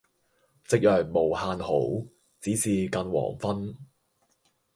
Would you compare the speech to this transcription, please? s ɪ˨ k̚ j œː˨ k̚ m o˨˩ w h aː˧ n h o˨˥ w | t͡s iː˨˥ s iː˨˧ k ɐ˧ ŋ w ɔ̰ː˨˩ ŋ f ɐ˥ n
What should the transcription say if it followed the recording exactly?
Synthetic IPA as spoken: t͡s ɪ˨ k̚ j œː˨ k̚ m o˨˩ w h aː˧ n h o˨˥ w | t͡s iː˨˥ s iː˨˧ k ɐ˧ n w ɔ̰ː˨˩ ŋ f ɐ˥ n